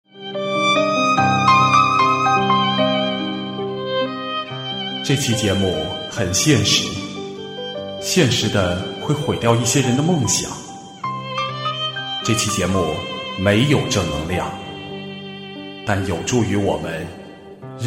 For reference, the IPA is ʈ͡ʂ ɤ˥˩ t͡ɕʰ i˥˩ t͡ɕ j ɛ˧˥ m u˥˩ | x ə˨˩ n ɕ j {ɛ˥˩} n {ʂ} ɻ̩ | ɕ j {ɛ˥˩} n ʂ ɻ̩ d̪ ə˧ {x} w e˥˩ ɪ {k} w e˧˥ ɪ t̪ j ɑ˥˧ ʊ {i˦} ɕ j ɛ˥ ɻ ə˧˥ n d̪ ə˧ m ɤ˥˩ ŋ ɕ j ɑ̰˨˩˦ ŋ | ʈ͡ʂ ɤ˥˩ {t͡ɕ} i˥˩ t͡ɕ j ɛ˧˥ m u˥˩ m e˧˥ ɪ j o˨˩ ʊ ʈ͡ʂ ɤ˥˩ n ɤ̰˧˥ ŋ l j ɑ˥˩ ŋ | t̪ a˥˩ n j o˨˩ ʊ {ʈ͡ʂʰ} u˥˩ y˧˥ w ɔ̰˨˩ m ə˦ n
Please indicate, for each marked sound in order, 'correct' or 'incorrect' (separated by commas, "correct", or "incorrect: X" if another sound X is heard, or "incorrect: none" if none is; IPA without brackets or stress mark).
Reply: correct, correct, correct, correct, incorrect: x, incorrect: i˥˩, incorrect: t͡ɕʰ, incorrect: ʈ͡ʂ